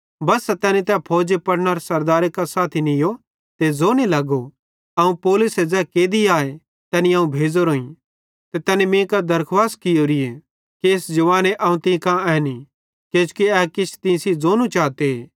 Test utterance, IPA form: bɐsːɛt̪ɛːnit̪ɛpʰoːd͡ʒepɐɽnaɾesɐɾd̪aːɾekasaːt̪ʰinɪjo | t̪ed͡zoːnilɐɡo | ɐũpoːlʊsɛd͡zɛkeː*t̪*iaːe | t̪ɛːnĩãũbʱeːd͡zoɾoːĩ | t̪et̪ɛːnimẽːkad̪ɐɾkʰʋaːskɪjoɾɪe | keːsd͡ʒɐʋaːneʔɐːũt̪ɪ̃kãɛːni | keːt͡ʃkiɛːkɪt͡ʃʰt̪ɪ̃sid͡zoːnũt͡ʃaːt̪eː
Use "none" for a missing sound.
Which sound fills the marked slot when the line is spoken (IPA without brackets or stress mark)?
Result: d̪